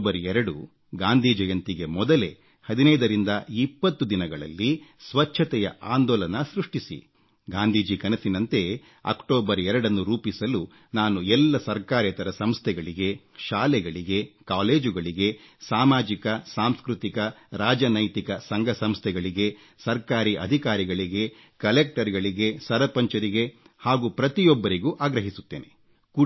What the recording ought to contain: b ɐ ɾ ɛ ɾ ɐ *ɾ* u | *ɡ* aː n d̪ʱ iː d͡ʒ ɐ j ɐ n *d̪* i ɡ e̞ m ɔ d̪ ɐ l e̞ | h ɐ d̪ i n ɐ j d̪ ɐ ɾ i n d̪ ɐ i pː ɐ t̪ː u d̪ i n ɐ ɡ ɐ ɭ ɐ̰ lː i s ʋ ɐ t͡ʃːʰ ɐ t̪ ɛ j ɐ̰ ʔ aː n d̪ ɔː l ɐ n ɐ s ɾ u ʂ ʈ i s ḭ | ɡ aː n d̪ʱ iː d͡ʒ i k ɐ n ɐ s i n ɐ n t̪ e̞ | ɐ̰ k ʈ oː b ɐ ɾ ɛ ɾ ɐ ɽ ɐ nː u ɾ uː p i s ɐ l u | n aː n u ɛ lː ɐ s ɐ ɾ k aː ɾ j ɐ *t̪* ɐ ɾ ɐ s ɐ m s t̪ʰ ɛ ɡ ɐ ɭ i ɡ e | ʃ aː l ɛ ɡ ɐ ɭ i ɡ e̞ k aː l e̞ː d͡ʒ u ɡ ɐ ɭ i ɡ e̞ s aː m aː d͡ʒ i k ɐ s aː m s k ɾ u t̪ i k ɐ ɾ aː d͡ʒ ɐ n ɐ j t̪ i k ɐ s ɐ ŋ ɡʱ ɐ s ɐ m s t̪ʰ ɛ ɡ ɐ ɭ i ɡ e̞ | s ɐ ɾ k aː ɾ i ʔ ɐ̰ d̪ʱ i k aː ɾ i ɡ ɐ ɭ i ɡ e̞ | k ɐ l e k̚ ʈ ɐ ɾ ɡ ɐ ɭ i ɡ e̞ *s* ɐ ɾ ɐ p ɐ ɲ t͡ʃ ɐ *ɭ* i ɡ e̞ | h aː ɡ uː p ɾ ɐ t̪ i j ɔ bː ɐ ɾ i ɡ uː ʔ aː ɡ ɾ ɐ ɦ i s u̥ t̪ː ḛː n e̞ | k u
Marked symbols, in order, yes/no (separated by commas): no, yes, no, yes, yes, no